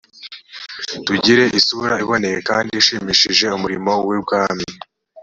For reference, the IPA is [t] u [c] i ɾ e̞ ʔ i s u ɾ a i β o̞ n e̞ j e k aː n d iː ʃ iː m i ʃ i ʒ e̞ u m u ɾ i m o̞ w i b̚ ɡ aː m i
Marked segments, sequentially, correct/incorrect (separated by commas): correct, incorrect